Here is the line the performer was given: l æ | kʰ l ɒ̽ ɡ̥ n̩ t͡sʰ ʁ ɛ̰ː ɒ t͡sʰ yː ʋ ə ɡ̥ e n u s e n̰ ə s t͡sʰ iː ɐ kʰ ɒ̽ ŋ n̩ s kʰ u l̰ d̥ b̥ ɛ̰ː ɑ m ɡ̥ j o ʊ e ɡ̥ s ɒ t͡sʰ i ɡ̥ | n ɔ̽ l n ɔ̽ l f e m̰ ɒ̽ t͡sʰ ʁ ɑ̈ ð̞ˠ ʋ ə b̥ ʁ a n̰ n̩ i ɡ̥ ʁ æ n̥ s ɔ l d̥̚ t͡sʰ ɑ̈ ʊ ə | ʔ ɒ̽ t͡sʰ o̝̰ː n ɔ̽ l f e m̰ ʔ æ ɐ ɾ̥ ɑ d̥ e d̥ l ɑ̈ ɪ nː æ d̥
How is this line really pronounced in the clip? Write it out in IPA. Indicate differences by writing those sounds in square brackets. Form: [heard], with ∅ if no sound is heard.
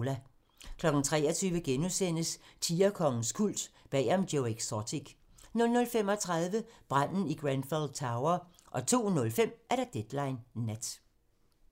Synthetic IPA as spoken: l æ | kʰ l ɒ̽ ɡ̥ n̩ t͡sʰ ʁ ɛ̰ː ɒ t͡sʰ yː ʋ ə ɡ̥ e n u s e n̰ ə s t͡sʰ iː ɐ kʰ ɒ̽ ŋ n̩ s kʰ u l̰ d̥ b̥ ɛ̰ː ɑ m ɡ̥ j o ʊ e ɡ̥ s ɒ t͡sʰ i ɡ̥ | n ɔ̽ l n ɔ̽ l f e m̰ ɒ̽ t͡sʰ ʁ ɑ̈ ð̞ˠ ʋ ə b̥ ʁ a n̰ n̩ i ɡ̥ ʁ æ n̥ [f] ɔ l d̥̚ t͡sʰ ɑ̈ ʊ [ɐ] | ʔ ɒ̽ t͡sʰ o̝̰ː n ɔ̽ l f e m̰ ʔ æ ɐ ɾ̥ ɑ d̥ e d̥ l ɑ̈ ɪ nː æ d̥